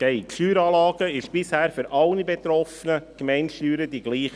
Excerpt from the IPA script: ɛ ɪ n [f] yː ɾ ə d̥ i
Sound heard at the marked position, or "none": ʃ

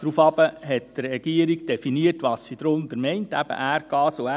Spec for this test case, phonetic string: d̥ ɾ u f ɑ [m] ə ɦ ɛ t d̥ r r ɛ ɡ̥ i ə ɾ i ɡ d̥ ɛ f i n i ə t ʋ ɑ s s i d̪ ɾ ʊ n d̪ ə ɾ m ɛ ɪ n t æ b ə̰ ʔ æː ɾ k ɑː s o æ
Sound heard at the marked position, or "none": b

